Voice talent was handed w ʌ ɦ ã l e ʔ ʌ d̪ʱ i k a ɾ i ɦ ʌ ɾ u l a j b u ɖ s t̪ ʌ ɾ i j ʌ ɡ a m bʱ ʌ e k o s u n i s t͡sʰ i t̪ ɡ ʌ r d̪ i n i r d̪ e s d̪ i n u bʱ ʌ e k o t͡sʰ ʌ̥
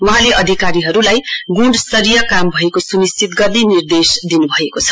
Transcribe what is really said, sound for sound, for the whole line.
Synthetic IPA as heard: w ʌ ɦ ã l e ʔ ʌ d̪ʱ i k a ɾ i ɦ ʌ ɾ u l a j ɡ u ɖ s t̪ ʌ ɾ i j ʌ k a m bʱ ʌ e k o s u n i s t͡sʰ i t̪ ɡ ʌ r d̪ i n i r d̪ e s d̪ i n u bʱ ʌ e k o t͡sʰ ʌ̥